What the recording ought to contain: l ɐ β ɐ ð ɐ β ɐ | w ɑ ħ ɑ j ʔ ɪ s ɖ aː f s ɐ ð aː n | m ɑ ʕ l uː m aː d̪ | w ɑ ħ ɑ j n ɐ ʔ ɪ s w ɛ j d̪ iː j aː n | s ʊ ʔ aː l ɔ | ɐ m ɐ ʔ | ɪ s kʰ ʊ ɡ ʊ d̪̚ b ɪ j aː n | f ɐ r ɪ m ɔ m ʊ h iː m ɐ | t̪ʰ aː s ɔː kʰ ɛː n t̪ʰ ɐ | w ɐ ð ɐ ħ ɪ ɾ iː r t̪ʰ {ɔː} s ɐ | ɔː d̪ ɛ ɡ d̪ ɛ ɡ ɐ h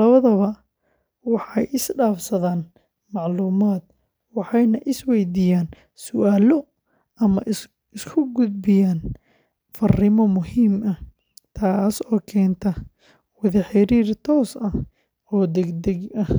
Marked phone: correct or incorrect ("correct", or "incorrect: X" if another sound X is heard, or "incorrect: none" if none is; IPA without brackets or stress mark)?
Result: correct